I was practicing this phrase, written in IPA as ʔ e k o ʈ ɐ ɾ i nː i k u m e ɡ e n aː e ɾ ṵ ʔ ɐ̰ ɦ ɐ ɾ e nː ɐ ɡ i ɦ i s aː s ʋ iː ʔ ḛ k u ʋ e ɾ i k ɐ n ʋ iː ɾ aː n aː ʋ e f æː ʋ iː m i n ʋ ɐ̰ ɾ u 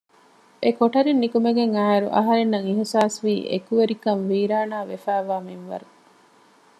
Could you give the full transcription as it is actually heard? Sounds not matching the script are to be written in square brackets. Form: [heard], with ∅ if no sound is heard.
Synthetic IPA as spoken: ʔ e k o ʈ ɐ ɾ i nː i k u m e ɡ e [ŋ] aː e ɾ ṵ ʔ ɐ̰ ɦ ɐ ɾ e nː ɐ [ŋ] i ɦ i s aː s ʋ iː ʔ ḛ k u ʋ e ɾ i k ɐ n ʋ iː ɾ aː n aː ʋ e f æː ʋ [aː] m i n ʋ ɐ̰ ɾ u